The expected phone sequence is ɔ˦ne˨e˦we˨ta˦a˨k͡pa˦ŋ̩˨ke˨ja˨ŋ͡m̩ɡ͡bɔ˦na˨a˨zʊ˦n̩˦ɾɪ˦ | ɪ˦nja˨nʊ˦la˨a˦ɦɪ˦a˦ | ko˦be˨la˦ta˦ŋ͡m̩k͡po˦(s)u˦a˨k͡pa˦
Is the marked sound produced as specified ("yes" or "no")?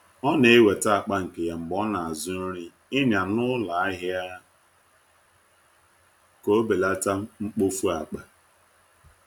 no